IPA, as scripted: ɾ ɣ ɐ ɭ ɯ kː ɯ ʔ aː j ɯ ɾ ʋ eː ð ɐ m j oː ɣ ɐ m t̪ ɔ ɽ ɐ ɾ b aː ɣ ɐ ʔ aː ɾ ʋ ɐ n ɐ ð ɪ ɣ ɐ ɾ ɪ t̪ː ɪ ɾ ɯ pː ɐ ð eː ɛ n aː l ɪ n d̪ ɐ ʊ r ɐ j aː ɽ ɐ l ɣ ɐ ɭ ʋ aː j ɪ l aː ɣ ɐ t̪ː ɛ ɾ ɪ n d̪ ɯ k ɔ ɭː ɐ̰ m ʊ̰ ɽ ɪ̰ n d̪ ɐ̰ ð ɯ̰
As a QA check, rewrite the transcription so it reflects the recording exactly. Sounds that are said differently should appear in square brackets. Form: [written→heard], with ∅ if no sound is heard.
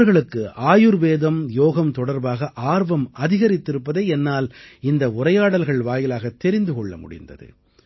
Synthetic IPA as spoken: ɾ ɣ ɐ ɭ ɯ kː ɯ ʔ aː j ɯ ɾ ʋ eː ð ɐ m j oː ɣ ɐ m t̪ ɔ ɽ ɐ ɾ b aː ɣ ɐ ʔ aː ɾ ʋ ɐ [n→m] ɐ ð ɪ ɣ ɐ ɾ ɪ t̪ː ɪ ɾ ɯ pː ɐ ð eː ɛ [n→nː] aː l ɪ n d̪ ɐ ʊ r ɐ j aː ɽ ɐ l ɣ ɐ ɭ ʋ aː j ɪ l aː ɣ ɐ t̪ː ɛ ɾ ɪ n d̪ ɯ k ɔ ɭː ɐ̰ m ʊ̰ ɽ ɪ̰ n d̪ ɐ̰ ð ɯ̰

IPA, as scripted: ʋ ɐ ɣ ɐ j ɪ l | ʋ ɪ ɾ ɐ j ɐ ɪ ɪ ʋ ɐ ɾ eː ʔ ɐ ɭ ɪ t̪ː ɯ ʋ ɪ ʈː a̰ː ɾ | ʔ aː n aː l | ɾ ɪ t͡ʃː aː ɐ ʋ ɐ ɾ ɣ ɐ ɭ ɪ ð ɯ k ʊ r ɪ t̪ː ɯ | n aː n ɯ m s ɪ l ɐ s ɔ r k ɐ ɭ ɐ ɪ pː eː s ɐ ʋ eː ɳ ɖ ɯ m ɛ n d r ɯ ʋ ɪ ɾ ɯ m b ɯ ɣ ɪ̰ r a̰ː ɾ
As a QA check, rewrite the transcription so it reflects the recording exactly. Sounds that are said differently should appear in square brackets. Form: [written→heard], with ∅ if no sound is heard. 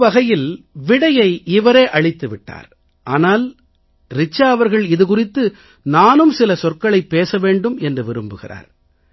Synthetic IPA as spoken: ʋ ɐ ɣ ɐ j ɪ l | ʋ ɪ [ɾ→ɽ] ɐ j ɐ ɪ ɪ ʋ ɐ ɾ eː ʔ ɐ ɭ ɪ t̪ː ɯ ʋ ɪ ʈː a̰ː ɾ | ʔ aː n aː l | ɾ ɪ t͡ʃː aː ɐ ʋ ɐ ɾ ɣ ɐ ɭ ɪ ð ɯ k ʊ r ɪ t̪ː ɯ | n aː n ɯ m s ɪ l ɐ s ɔ r k ɐ ɭ ɐ ɪ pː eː s ɐ ʋ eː ɳ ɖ ɯ m ɛ n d r ɯ ʋ ɪ ɾ ɯ m b ɯ ɣ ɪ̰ r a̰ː ɾ

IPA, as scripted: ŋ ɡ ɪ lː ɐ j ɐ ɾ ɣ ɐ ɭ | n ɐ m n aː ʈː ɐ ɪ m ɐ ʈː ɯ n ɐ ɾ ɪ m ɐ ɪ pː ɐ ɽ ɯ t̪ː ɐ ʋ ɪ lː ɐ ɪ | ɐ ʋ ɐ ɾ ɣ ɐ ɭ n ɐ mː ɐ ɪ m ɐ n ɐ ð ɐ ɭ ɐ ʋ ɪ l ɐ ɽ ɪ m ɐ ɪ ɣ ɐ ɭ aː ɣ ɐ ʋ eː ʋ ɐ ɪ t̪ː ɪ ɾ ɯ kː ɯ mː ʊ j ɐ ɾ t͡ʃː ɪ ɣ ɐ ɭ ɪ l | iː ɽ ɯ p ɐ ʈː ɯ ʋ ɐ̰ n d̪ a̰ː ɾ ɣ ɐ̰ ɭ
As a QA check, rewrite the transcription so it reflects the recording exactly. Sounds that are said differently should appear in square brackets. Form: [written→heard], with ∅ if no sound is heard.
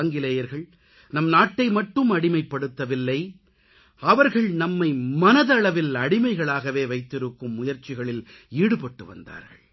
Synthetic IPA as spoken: ŋ ɡ ɪ [lː→l] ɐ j ɐ ɾ ɣ ɐ ɭ | n ɐ m n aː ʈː ɐ ɪ m ɐ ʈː ɯ [n→m] ɐ [ɾ→ɽ] ɪ m ɐ ɪ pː ɐ ɽ ɯ t̪ː ɐ ʋ ɪ lː ɐ ɪ | ɐ ʋ ɐ ɾ ɣ ɐ ɭ n ɐ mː ɐ ɪ m ɐ n ɐ ð ɐ ɭ ɐ ʋ ɪ l ɐ ɽ ɪ m ɐ ɪ ɣ ɐ ɭ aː ɣ ɐ ʋ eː ʋ ɐ ɪ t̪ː ɪ ɾ ɯ kː ɯ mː ʊ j ɐ ɾ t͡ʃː ɪ ɣ ɐ ɭ ɪ l | iː ɽ ɯ p ɐ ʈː ɯ ʋ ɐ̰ n d̪ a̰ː ɾ ɣ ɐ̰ ɭ

